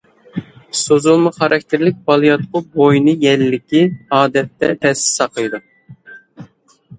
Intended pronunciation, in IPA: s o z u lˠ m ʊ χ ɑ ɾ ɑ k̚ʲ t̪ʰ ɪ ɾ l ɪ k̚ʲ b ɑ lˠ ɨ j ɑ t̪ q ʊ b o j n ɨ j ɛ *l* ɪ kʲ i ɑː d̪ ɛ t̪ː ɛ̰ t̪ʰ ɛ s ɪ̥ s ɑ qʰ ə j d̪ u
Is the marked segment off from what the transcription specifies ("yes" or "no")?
yes